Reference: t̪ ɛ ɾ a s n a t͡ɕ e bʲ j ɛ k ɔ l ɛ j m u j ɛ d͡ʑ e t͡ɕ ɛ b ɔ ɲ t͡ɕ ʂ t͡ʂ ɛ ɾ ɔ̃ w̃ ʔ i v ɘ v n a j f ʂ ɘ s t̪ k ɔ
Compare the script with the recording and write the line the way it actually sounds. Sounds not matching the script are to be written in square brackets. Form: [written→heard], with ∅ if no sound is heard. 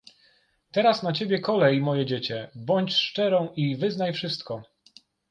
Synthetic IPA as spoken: t̪ ɛ ɾ a s n a t͡ɕ e bʲ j ɛ k ɔ l ɛ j m [u→ɔ] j ɛ d͡ʑ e t͡ɕ ɛ b ɔ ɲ t͡ɕ ʂ t͡ʂ ɛ ɾ ɔ̃ w̃ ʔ i v ɘ [v→z] n a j f ʂ ɘ s t̪ k ɔ

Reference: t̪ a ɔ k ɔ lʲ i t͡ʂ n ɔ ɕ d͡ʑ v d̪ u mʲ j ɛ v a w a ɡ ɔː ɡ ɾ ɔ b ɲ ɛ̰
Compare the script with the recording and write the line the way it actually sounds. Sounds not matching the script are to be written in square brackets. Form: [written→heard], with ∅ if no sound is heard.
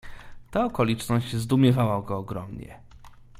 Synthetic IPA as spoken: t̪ a ɔ k ɔ lʲ i t͡ʂ n ɔ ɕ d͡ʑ [v→z] d̪ u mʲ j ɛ v a w a ɡ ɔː ɡ ɾ ɔ [b→m] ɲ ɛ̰

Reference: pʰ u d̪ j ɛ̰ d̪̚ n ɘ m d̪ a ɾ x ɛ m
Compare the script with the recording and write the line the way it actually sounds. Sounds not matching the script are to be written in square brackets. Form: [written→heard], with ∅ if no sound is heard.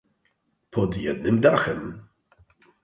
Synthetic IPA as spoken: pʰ [u→ɔ] d̪ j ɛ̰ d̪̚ n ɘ m d̪ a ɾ x ɛ m

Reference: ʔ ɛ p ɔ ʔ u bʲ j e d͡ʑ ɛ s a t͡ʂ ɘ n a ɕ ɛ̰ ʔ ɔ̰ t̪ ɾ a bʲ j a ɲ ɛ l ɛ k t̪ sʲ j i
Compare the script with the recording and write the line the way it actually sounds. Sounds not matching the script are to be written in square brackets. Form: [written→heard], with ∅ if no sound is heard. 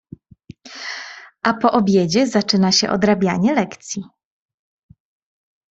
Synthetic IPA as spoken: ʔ [ɛ→a] p ɔ ʔ [u→ɔ] bʲ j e d͡ʑ ɛ [s→z] a t͡ʂ ɘ n a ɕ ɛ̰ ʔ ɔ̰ [t̪→d̪] ɾ a bʲ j a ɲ ɛ l ɛ k t̪ sʲ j i

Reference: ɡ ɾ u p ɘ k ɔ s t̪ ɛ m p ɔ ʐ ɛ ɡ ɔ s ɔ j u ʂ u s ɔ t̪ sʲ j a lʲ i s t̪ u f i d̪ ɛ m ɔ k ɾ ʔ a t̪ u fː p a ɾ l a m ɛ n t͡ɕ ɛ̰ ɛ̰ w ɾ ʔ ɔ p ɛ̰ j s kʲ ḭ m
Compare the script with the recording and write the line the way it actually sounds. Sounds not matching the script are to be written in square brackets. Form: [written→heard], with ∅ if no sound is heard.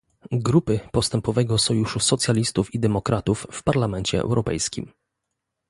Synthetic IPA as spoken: ɡ ɾ u p ɘ [k→p] ɔ s t̪ ɛ m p ɔ [ʐ→v] ɛ ɡ ɔ s ɔ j u ʂ u s ɔ t̪ sʲ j a lʲ i s t̪ u f i d̪ ɛ m ɔ k ɾ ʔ a t̪ u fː p a ɾ l a m ɛ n t͡ɕ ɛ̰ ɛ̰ w ɾ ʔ ɔ p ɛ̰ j s kʲ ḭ m

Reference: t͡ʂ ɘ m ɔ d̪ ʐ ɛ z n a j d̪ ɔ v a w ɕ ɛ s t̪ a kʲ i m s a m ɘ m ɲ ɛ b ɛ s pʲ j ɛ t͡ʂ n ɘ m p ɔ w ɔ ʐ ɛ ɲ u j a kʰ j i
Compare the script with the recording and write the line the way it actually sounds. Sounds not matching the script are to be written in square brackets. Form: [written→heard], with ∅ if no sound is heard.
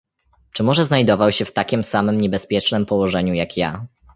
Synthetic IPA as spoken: t͡ʂ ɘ m ɔ [d̪→∅] ʐ ɛ z n a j d̪ ɔ v a w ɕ ɛ [s→f] t̪ a kʲ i m s a m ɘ m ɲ ɛ b ɛ s pʲ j ɛ t͡ʂ n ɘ m p ɔ w ɔ ʐ ɛ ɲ u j a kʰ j [i→a]

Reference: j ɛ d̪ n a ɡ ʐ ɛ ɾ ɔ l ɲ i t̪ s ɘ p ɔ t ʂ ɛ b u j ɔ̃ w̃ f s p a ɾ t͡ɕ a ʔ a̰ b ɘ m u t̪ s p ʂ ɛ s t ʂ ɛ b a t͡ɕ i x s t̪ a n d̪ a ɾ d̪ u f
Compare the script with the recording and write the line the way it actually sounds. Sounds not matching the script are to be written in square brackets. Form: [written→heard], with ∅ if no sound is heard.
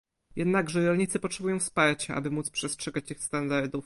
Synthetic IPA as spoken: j ɛ d̪ n a ɡ ʐ ɛ ɾ ɔ l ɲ i t̪ s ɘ p ɔ t ʂ ɛ b u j ɔ̃ w̃ f s p a ɾ t͡ɕ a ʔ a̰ b ɘ m u t̪ s p ʂ ɛ s t ʂ ɛ [b→ɡ] a t͡ɕ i x s t̪ a n d̪ a ɾ d̪ u f

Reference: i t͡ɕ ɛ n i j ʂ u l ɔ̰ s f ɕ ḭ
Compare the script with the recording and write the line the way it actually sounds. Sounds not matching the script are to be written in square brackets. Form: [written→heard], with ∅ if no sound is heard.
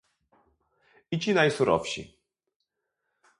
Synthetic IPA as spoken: i t͡ɕ [ɛ→i] n [i→a] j [ʂ→s] u [l→ɾ] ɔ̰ [s→∅] f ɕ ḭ

